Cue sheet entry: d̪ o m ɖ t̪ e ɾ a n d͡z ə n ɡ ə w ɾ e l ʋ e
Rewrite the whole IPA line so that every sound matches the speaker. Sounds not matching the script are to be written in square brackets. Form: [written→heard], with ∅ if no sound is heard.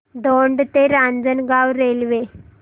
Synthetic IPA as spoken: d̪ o [m→ɳ] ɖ t̪ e ɾ a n d͡z ə n ɡ [ə→a] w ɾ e l ʋ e